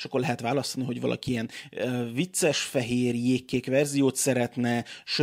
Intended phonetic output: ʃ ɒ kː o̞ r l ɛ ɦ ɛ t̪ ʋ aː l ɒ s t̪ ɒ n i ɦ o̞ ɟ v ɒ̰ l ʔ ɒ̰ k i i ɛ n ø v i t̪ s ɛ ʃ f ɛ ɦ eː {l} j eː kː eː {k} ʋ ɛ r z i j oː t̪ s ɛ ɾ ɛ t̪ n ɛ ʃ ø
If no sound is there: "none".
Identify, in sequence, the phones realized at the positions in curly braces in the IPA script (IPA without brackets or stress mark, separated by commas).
r, k